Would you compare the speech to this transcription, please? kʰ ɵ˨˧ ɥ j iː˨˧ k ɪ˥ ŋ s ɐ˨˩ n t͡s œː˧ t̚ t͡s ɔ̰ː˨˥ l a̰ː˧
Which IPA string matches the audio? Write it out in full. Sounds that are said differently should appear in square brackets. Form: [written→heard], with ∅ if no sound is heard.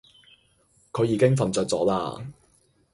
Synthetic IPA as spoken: kʰ ɵ˨˧ ɥ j iː˨˧ k ɪ˥ ŋ [s→f] ɐ˨˩ n t͡s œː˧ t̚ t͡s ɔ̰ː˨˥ l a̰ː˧